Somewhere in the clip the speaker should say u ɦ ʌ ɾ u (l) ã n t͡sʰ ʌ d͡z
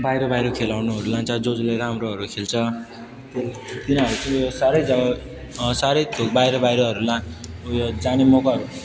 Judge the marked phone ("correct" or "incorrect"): correct